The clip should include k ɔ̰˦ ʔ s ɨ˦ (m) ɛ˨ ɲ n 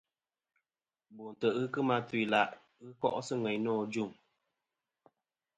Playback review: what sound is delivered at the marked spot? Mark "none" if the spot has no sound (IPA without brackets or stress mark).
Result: ŋ